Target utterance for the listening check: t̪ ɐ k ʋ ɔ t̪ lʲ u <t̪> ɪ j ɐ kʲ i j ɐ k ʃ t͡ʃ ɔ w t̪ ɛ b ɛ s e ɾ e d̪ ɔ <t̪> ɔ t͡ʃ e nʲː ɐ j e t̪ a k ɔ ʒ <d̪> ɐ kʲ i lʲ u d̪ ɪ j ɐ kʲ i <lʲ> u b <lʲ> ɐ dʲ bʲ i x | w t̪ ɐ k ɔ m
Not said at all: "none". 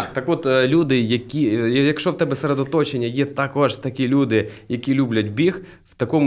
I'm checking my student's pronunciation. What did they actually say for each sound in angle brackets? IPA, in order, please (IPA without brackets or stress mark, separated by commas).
d̪, t̪, t̪, lʲ, lʲ